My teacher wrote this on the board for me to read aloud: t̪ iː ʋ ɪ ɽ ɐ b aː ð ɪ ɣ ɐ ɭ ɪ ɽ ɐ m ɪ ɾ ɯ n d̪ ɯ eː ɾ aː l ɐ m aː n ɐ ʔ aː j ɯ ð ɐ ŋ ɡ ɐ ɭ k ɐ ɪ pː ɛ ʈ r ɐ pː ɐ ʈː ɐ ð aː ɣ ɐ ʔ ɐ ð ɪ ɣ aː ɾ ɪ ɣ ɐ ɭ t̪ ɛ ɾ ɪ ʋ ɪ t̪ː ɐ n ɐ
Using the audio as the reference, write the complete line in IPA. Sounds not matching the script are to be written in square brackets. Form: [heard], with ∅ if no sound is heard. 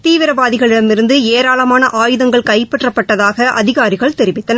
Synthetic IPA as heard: t̪ iː ʋ ɪ [ɾ] ɐ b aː ð ɪ ɣ ɐ ɭ ɪ ɽ ɐ m ɪ ɾ ɯ n d̪ ɯ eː ɾ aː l ɐ m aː n ɐ ʔ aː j ɯ ð ɐ ŋ ɡ ɐ ɭ k ɐ ɪ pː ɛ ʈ r ɐ pː ɐ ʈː ɐ ð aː ɣ ɐ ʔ ɐ ð ɪ ɣ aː ɾ ɪ ɣ ɐ ɭ t̪ ɛ ɾ ɪ ʋ ɪ t̪ː ɐ n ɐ

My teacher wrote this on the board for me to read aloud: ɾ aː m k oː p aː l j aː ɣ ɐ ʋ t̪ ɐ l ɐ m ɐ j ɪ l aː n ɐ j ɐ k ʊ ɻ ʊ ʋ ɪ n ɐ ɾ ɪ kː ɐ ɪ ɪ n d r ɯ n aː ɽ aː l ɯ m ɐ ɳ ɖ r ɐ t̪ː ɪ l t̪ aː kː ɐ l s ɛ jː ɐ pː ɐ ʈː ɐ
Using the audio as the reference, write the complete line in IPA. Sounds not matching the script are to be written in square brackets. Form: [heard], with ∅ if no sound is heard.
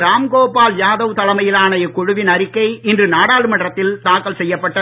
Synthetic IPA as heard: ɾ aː m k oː p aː l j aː [ð] ɐ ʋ t̪ ɐ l ɐ m ɐ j ɪ l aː n ɐ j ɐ k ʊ ɻ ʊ ʋ ɪ n ɐ ɾ ɪ kː ɐ ɪ ɪ n d r ɯ n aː ɽ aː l ɯ m ɐ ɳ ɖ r ɐ t̪ː ɪ l t̪ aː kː ɐ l s ɛ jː ɐ pː ɐ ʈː ɐ

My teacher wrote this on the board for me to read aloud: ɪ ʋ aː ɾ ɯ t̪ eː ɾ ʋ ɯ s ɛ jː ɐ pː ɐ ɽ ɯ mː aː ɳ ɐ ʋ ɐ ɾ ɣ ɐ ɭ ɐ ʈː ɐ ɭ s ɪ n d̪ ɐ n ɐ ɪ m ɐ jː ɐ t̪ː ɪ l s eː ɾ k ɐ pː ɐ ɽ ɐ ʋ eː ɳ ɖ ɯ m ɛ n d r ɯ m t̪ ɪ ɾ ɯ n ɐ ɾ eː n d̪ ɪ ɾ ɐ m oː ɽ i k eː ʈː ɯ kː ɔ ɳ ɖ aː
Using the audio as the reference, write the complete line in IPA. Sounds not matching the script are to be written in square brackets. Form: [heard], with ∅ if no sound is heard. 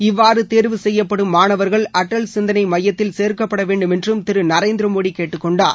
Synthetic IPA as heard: ɪ [ʋː] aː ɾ ɯ t̪ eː ɾ ʋ ɯ s ɛ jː ɐ pː ɐ ɽ ɯ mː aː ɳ ɐ ʋ ɐ ɾ ɣ ɐ ɭ ɐ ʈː ɐ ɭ s ɪ n d̪ ɐ n ɐ ɪ m ɐ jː ɐ t̪ː ɪ l s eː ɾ k ɐ pː ɐ ɽ ɐ ʋ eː ɳ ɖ ɯ m ɛ n d r ɯ m t̪ ɪ ɾ ɯ n ɐ ɾ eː n d̪ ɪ ɾ ɐ m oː ɽ i k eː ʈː ɯ kː ɔ ɳ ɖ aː

